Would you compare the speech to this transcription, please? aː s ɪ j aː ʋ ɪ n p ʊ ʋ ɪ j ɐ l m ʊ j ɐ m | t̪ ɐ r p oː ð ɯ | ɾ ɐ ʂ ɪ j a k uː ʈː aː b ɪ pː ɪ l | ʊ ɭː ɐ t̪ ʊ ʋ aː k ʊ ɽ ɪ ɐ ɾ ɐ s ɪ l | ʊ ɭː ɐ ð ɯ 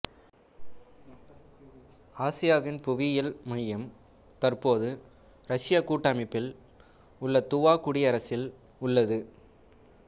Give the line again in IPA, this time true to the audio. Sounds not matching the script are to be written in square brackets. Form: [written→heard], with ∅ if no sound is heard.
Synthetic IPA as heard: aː s ɪ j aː ʋ ɪ n p ʊ ʋ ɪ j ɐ l m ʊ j ɐ m | t̪ ɐ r p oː ð ɯ | ɾ ɐ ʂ ɪ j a k uː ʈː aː [b→m] ɪ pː ɪ l | ʊ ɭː ɐ t̪ ʊ ʋ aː k ʊ ɽ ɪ ɐ ɾ ɐ s ɪ l | ʊ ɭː ɐ ð ɯ